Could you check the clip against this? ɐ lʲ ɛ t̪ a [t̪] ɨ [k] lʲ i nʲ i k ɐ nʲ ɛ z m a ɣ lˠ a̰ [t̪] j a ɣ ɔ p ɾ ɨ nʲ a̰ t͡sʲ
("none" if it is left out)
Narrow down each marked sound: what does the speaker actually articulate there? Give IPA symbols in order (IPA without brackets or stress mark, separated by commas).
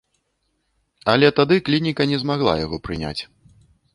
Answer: d̪, k, none